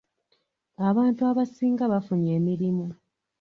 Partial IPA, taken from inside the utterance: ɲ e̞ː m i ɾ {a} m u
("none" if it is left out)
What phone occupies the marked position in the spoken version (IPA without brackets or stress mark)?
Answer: i